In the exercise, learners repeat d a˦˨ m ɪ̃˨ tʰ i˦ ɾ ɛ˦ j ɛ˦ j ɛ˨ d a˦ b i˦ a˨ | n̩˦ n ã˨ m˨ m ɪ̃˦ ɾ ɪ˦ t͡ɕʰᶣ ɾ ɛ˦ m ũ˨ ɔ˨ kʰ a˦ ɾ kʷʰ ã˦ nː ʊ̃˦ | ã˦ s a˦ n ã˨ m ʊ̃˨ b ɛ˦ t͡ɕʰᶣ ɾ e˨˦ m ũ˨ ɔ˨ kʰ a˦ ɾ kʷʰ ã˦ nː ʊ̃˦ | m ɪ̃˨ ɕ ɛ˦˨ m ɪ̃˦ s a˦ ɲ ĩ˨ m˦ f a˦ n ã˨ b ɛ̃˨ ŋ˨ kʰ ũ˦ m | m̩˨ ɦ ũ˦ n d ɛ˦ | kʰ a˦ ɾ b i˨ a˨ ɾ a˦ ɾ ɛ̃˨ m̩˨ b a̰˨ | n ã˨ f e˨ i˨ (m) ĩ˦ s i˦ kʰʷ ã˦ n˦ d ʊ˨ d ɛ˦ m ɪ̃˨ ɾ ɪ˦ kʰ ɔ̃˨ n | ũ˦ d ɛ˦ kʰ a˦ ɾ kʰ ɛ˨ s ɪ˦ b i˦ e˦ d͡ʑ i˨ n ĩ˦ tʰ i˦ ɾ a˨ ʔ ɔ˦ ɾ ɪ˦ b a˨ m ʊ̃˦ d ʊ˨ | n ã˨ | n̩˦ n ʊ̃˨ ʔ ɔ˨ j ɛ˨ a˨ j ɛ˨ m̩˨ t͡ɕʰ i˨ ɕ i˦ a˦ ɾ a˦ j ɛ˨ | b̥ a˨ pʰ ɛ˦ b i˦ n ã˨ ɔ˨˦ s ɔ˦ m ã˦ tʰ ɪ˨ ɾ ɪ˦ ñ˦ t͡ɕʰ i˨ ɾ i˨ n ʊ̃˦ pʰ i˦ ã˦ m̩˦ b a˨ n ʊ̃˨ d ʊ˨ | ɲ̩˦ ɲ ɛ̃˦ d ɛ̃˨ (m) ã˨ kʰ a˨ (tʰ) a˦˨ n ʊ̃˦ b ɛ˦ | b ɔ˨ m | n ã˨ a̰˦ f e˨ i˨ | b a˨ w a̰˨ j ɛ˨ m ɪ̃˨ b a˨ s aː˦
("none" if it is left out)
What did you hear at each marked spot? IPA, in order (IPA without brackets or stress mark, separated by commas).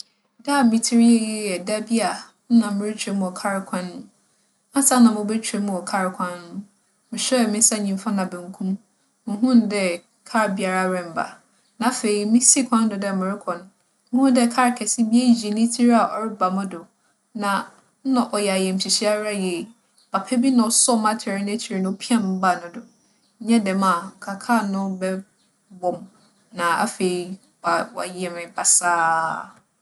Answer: m, m, kʰ